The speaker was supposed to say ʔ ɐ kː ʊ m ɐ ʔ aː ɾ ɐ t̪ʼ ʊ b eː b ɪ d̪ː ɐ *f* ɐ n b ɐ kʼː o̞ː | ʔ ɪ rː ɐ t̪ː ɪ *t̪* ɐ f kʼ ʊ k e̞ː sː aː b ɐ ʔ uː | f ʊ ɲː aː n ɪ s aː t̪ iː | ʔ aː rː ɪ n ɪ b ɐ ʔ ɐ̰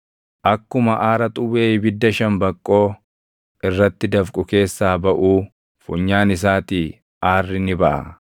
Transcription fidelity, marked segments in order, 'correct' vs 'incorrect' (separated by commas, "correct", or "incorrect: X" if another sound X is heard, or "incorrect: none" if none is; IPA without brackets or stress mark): incorrect: ʃ, incorrect: d̪